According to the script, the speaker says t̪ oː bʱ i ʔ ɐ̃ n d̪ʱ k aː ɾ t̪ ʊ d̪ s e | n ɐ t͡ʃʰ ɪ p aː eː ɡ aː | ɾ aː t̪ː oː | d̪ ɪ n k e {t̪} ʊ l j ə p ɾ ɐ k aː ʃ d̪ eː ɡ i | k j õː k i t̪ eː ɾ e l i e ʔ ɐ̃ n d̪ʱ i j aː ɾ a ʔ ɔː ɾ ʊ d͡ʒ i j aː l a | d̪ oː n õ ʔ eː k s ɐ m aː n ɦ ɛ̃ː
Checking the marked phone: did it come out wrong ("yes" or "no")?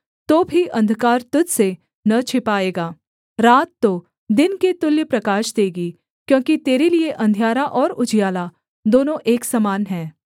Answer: no